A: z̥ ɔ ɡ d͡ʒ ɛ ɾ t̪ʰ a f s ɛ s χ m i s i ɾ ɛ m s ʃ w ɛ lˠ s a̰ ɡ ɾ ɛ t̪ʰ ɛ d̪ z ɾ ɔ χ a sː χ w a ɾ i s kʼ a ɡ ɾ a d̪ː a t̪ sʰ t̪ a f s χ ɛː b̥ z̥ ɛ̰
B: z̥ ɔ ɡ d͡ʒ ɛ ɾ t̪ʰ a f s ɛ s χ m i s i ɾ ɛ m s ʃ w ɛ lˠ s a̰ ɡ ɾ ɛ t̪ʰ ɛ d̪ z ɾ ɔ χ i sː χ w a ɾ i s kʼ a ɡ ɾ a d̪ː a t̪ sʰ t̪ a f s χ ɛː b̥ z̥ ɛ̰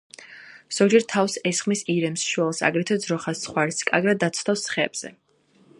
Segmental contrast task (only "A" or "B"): A